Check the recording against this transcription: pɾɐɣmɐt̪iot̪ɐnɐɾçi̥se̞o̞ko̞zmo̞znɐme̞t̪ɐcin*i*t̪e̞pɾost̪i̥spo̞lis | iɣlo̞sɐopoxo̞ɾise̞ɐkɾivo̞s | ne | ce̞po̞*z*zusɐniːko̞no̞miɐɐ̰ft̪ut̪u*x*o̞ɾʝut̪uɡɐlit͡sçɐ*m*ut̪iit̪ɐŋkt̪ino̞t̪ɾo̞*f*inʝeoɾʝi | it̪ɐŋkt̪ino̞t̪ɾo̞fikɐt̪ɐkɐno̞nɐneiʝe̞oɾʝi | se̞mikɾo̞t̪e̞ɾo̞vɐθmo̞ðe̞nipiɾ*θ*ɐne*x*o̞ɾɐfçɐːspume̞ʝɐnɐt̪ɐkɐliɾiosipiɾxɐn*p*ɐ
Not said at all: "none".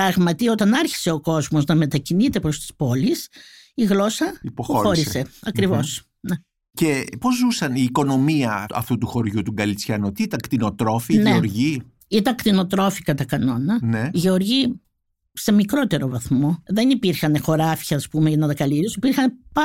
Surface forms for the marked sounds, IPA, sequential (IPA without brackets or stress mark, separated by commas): i, z, x, n, f, x, x, p